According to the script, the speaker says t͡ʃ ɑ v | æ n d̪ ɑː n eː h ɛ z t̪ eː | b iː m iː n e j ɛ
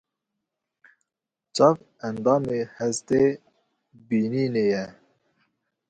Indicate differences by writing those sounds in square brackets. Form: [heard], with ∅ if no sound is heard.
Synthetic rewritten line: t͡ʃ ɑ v | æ n d̪ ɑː [m] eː h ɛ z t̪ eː | b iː [n] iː n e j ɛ